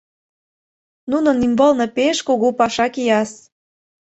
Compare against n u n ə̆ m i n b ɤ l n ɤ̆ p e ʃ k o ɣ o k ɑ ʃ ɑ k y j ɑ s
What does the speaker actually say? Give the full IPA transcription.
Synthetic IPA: n u n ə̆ n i m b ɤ l n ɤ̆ p e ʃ k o ɣ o p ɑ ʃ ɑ k i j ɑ s